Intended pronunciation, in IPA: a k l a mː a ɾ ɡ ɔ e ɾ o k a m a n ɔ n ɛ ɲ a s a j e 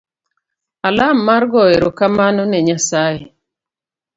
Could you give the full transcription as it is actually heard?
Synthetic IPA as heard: a l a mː a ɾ ɡ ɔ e ɾ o k a m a n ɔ n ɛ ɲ a s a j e